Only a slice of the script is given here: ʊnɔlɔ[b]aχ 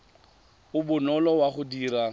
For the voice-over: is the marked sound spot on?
no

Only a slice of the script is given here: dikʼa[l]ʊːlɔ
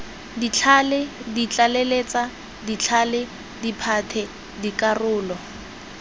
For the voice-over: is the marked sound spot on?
no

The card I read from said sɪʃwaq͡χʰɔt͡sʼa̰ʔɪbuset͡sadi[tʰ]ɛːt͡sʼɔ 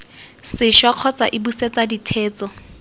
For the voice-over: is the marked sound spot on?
yes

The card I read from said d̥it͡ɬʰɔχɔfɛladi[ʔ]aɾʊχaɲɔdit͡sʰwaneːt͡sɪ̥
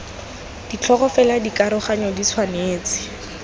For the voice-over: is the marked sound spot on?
no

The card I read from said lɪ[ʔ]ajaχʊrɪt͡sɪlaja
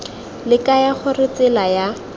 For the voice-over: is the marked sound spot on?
no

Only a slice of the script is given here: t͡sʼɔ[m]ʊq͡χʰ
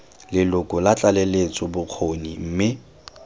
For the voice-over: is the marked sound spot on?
no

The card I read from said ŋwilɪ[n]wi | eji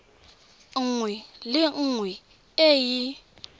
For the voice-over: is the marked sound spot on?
no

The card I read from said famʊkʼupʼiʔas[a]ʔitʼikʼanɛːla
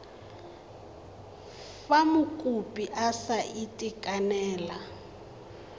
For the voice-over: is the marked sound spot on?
yes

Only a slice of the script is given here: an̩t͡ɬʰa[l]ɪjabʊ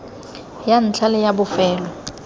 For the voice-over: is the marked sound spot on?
yes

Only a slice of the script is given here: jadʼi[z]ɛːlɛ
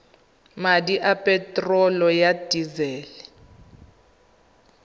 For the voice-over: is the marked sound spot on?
yes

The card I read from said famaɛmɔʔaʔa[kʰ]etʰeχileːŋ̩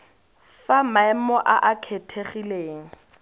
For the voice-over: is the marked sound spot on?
yes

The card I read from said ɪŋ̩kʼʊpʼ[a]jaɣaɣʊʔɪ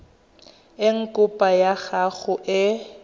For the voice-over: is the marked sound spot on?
yes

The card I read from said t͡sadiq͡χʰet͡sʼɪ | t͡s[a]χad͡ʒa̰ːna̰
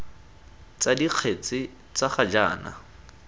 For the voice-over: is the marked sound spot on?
yes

